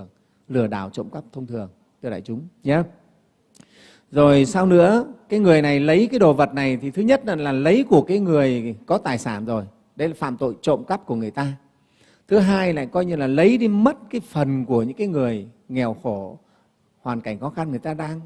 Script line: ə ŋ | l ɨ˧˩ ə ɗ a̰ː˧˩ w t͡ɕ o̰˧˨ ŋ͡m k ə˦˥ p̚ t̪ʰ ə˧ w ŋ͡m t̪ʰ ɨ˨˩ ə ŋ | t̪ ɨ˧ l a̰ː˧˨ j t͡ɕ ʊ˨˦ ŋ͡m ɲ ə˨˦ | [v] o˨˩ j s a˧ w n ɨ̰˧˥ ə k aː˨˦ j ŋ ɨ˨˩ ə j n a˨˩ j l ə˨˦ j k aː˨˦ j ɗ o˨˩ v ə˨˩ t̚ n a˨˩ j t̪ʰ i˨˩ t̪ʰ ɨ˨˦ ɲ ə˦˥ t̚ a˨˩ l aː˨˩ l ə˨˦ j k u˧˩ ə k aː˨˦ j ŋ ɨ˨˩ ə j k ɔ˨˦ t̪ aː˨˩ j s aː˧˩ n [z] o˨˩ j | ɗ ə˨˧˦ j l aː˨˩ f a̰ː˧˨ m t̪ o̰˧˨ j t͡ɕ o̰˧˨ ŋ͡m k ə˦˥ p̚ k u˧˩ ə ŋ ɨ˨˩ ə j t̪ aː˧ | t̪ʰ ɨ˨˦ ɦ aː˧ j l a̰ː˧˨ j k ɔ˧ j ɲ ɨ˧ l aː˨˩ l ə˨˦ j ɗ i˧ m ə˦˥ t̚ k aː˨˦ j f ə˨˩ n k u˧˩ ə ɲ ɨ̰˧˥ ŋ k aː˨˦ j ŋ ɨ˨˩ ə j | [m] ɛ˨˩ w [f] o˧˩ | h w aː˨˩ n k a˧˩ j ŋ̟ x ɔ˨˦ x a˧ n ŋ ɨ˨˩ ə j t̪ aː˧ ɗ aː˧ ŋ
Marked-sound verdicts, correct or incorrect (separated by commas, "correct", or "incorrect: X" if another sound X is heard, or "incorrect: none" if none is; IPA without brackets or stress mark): incorrect: z, correct, incorrect: ŋ, incorrect: x